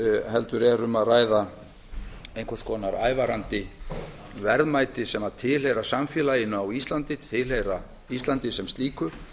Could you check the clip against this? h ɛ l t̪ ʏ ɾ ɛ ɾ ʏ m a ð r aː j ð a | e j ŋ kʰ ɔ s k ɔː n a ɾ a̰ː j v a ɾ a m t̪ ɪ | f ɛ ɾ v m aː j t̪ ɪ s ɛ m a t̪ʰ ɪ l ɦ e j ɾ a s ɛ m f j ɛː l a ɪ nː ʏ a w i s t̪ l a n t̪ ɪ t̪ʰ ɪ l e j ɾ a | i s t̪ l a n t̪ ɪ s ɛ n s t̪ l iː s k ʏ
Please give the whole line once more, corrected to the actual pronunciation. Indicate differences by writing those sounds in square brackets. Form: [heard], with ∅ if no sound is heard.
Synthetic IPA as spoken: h ɛ l t̪ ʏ ɾ ɛ ɾ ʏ m a ð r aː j ð a | e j ŋ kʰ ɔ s k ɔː n a ɾ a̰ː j v a ɾ a [n] t̪ ɪ | [v] ɛ ɾ [ð] m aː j t̪ ɪ s ɛ m a t̪ʰ ɪ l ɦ e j ɾ a s [a] m f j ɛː l a ɪ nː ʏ a w i s t̪ l a n t̪ ɪ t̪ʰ ɪ l e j ɾ a | i s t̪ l a n t̪ ɪ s ɛ [m] s t̪ l iː [∅] k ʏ